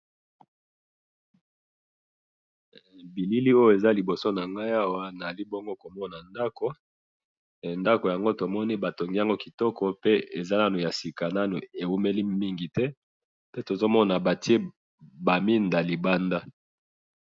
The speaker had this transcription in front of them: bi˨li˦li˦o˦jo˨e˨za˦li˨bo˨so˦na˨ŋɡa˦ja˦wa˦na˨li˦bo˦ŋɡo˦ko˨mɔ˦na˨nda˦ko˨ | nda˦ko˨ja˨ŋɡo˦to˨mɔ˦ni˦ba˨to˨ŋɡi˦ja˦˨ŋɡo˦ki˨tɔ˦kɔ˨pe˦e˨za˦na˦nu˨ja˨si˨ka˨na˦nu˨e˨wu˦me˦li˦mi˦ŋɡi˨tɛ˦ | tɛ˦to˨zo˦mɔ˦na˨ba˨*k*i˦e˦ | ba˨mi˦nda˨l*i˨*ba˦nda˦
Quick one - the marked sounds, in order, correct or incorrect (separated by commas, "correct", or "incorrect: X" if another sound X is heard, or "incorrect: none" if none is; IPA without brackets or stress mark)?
incorrect: t, correct